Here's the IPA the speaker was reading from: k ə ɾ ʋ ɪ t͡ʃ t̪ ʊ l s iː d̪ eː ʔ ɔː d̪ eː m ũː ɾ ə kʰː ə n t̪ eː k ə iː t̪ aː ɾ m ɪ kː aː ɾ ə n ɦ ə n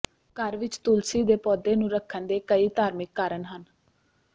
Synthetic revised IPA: k ə ɾ ʋ ɪ t͡ʃ t̪ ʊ l s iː d̪ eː p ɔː d̪ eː n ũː ɾ ə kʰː ə n d̪ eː k ə iː t̪ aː ɾ m ɪ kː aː ɾ ə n ɦ ə n